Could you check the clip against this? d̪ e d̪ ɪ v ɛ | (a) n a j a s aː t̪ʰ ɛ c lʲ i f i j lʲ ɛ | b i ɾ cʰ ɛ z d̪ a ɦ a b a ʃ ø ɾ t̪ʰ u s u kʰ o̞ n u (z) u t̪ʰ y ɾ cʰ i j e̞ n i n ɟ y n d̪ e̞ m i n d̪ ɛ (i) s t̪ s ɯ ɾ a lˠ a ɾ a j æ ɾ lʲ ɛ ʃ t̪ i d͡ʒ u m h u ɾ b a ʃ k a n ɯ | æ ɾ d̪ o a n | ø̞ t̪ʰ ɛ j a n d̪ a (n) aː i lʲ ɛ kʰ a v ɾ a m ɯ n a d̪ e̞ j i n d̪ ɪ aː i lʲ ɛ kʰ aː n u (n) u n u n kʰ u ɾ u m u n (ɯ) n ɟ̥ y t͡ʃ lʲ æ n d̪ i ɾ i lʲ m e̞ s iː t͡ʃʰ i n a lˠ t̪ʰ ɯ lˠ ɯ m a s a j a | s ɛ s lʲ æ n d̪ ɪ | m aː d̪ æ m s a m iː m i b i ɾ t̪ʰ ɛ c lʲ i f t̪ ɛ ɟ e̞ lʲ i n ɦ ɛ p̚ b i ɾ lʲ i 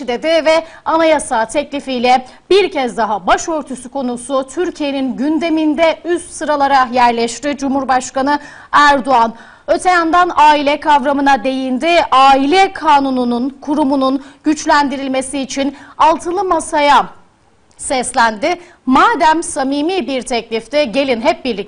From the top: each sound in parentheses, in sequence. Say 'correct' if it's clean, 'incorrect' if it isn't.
correct, incorrect, incorrect, correct, correct, incorrect

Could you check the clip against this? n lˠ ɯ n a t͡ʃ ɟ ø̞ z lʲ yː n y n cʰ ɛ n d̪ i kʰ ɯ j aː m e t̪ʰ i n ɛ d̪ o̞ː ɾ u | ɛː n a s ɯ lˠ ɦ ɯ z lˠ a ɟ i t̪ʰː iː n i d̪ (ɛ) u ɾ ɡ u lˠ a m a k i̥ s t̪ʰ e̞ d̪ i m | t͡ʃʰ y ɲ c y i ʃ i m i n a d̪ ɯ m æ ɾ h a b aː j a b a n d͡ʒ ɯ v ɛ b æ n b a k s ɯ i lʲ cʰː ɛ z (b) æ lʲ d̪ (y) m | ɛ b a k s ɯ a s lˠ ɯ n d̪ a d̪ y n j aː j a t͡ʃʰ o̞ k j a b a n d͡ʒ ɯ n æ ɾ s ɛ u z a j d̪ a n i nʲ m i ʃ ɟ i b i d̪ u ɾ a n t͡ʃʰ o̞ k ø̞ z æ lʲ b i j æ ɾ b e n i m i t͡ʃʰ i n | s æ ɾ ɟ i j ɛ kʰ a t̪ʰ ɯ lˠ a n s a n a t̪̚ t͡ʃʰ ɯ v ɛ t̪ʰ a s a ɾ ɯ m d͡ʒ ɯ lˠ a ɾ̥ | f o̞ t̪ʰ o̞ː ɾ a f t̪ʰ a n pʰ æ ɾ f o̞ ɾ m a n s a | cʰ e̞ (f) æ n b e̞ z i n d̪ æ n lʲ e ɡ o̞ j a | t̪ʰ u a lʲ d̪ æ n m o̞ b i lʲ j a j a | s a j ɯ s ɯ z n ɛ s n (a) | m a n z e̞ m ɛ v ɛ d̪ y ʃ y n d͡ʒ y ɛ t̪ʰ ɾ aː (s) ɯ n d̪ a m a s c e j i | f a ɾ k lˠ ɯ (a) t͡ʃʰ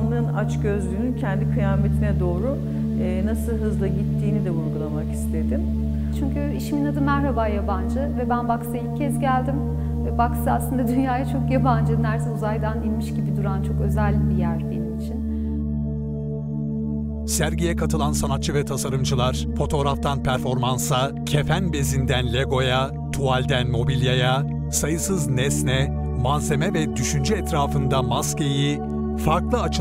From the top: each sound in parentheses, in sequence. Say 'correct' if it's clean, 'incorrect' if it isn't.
correct, incorrect, incorrect, correct, incorrect, incorrect, correct

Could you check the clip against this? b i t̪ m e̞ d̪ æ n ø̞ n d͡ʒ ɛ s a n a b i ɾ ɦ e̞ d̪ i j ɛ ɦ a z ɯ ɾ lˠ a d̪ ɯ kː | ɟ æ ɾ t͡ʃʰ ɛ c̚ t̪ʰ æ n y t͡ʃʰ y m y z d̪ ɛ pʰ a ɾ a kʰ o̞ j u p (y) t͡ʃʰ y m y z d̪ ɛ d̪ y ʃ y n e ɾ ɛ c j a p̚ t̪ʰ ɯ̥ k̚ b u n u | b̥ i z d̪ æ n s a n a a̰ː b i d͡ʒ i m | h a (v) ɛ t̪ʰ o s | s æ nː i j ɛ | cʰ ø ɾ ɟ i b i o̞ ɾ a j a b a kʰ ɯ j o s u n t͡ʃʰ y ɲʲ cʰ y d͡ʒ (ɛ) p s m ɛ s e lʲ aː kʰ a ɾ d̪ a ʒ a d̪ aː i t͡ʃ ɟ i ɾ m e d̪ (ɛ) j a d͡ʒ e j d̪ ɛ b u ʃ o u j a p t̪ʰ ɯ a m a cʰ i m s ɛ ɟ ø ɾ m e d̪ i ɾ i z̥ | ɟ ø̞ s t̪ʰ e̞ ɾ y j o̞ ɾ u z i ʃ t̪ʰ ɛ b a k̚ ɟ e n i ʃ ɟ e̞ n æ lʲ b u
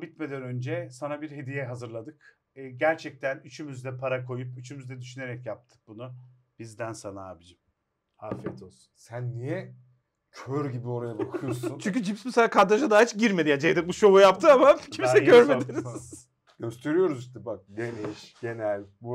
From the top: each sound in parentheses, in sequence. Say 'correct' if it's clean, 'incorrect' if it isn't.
correct, incorrect, incorrect, incorrect

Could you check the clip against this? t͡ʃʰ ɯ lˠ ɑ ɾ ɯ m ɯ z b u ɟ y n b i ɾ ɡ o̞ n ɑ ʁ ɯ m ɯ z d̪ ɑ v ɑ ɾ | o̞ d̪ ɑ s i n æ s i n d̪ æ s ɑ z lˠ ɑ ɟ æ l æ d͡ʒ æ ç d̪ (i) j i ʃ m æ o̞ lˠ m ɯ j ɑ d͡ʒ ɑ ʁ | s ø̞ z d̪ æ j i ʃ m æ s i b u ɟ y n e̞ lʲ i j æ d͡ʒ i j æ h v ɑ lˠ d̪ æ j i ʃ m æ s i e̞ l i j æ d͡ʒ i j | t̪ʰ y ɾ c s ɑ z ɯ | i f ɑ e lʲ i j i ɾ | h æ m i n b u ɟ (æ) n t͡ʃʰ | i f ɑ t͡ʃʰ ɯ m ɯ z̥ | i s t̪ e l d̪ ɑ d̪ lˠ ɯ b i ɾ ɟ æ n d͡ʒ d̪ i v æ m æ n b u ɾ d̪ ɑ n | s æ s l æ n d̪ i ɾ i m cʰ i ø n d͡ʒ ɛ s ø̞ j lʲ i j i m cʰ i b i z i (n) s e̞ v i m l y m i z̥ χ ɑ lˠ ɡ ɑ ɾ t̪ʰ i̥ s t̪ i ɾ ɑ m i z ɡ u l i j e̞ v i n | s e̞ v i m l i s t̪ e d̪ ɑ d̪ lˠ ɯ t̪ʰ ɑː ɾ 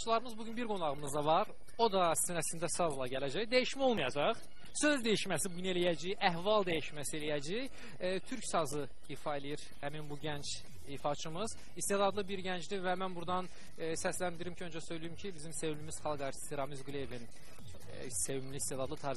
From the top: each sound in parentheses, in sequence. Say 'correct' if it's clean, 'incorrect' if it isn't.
incorrect, correct, incorrect

